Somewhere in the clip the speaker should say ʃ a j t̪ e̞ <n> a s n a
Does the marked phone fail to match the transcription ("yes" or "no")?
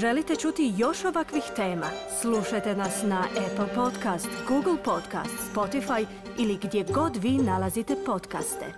no